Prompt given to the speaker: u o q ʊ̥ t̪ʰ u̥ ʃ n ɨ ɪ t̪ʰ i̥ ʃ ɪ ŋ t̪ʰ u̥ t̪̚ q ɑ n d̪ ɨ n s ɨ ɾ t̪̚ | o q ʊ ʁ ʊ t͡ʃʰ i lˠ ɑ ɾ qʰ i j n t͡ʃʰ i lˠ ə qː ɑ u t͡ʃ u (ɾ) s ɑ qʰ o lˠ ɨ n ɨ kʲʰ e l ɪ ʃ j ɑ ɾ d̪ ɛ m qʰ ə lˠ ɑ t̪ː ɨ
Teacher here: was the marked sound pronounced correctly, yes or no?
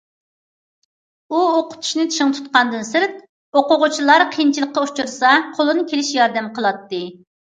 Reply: yes